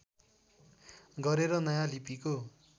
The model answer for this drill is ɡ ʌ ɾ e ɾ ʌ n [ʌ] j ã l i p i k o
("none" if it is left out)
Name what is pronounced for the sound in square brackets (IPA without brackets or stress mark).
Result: ʌ